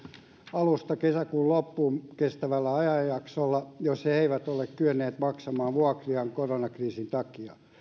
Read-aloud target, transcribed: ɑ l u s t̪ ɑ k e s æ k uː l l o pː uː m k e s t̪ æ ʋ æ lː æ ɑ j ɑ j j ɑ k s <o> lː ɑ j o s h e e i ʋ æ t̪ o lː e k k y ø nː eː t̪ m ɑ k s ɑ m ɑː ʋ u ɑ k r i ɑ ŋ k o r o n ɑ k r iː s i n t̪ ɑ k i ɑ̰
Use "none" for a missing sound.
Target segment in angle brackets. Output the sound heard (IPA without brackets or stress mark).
o